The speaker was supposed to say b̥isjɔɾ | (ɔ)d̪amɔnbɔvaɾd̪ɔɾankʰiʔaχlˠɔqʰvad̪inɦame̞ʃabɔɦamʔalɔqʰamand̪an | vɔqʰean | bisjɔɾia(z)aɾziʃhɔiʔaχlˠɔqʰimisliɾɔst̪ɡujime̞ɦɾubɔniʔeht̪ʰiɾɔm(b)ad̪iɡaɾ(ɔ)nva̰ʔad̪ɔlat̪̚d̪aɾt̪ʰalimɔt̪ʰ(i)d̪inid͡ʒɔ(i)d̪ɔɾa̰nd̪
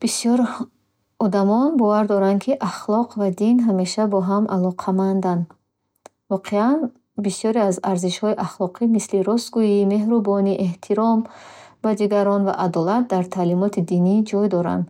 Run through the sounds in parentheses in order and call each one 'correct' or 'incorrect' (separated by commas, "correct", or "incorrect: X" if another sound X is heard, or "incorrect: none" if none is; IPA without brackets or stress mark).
correct, correct, correct, correct, correct, incorrect: j